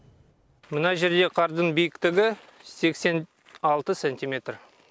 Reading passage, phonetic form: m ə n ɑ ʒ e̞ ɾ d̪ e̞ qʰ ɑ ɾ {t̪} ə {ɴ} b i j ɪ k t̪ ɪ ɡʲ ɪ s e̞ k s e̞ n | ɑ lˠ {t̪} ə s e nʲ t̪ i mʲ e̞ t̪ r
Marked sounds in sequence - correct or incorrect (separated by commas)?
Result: incorrect, incorrect, correct